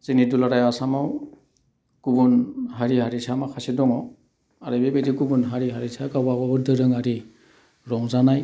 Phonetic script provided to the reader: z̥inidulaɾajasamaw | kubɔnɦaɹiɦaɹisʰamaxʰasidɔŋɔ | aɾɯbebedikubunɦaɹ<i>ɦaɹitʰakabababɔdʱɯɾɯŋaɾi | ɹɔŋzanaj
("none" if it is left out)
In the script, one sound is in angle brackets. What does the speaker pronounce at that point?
i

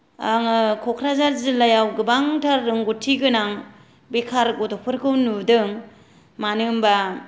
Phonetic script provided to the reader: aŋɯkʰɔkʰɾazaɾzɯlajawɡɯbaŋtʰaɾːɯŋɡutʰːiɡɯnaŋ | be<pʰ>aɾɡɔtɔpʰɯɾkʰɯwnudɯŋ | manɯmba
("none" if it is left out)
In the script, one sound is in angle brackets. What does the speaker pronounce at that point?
kʰ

